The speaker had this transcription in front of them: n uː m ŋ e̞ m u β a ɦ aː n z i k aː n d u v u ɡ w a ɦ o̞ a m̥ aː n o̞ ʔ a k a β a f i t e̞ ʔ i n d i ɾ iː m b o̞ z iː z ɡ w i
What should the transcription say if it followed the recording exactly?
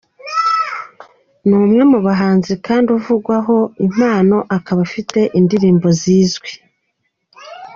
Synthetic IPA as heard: n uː m ŋ e̞ m u β a ɦ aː n z i k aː n d u v u ɡ w a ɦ o̞ i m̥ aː n o̞ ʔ a k a β a f i t e̞ ʔ i n d i ɾ iː m b o̞ z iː z ɡ w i

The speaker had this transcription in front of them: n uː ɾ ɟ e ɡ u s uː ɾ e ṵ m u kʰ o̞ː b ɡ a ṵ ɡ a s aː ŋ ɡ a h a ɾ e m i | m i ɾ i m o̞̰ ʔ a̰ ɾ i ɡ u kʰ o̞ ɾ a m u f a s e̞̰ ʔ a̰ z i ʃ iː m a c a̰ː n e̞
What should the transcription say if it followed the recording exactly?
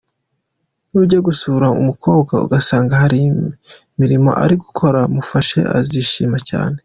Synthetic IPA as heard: n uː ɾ ɟ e ɡ u s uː ɾ a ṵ m u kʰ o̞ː b ɡ a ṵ ɡ a s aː ŋ ɡ a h a ɾ i m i | m i ɾ i m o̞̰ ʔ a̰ ɾ i ɡ u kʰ o̞ ɾ a m u f a ʃ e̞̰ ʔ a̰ z i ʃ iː m a c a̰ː n e̞

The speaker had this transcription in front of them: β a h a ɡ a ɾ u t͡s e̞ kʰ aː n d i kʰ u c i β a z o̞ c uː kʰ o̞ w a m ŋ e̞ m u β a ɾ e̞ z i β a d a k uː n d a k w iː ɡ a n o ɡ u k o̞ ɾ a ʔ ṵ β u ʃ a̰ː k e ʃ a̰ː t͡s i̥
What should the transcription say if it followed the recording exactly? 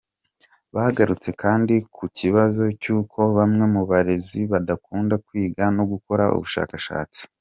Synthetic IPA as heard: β a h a ɡ a ɾ u t͡s e̞ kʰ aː n d i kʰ u c i β a z o̞ c uː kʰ o̞ β a m ŋ e̞ m u β a ɾ e̞ z i β a d a k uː n d a k w iː ɡ a n o ɡ u k o̞ ɾ a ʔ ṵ β u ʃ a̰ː k a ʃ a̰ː t͡s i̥

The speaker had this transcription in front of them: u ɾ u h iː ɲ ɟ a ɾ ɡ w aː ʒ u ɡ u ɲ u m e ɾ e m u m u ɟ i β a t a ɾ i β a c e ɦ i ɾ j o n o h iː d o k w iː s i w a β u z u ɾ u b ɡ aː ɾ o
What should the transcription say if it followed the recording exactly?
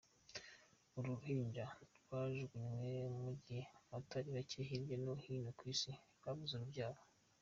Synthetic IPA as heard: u ɾ u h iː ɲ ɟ a ɾ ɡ w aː ʒ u ɡ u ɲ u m e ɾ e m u m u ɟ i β a t a ɾ i β a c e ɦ i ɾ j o n o h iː n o k w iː s i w a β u z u ɾ u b ɟ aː ɾ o

